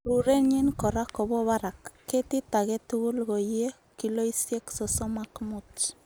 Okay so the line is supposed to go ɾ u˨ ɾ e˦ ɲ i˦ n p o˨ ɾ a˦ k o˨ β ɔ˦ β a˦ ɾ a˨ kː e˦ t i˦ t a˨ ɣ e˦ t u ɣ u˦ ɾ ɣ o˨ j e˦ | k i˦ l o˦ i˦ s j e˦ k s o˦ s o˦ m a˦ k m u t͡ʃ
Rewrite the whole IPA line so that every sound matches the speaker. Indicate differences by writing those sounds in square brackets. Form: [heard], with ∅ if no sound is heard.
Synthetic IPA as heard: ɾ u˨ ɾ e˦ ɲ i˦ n [k] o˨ ɾ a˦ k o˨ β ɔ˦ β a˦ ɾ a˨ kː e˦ t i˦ t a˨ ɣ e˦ t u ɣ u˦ [l] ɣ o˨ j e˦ | k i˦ l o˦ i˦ s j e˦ k s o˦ s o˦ m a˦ k m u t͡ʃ